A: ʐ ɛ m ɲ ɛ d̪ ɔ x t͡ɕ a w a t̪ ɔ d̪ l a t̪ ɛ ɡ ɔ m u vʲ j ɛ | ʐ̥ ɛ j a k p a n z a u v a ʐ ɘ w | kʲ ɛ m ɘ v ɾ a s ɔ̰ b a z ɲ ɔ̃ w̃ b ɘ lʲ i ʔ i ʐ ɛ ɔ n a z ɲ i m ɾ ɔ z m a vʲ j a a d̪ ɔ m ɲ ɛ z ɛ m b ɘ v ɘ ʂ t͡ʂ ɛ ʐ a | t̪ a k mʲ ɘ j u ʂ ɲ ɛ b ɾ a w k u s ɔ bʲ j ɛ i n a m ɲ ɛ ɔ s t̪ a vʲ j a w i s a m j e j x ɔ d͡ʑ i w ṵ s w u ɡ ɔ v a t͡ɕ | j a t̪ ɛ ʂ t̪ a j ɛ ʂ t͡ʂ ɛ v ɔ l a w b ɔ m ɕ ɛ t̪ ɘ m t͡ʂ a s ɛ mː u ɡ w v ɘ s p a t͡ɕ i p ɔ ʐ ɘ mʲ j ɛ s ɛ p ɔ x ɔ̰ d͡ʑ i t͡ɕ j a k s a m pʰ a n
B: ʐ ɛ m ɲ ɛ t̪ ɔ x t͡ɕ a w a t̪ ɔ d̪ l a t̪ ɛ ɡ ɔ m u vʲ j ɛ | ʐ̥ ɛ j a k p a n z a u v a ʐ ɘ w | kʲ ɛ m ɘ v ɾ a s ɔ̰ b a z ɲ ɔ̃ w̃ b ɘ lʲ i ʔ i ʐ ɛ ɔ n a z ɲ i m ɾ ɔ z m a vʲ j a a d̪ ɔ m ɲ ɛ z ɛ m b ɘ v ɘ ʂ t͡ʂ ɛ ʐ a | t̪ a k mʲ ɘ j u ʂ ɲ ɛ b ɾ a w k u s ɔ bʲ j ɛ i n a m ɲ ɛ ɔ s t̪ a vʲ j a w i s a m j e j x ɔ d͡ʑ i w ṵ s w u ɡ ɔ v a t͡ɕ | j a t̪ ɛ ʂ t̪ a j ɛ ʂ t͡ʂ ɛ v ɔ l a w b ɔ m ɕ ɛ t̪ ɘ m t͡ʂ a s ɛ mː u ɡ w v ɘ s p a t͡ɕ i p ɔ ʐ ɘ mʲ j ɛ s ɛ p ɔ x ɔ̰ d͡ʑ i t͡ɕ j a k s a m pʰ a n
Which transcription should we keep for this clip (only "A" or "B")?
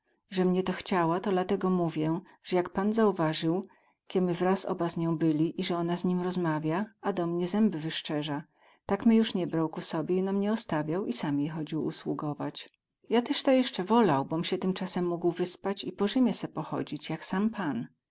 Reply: B